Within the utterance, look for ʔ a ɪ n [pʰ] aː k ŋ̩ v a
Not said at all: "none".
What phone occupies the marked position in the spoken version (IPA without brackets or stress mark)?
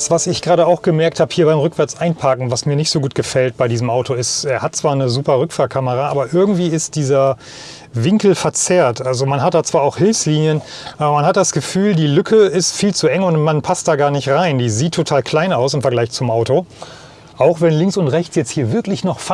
pʰ